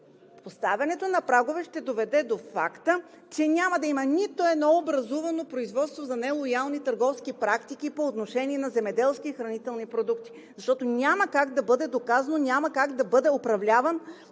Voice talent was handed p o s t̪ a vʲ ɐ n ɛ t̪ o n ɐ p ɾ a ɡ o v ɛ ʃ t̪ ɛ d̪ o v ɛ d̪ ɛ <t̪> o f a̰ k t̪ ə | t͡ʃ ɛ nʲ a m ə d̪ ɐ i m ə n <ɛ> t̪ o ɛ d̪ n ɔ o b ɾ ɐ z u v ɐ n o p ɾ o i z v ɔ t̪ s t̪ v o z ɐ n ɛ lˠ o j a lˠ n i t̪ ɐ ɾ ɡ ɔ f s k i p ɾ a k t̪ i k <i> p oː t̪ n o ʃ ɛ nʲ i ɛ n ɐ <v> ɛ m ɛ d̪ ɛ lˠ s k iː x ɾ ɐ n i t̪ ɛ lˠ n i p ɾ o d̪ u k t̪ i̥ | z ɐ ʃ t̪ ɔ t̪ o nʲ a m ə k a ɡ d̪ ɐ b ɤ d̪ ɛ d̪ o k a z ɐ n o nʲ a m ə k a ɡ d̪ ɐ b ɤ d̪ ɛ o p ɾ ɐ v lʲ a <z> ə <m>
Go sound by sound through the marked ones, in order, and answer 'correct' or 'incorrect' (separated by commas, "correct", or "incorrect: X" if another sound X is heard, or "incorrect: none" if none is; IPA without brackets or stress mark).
incorrect: d̪, incorrect: i, correct, incorrect: z, incorrect: v, incorrect: n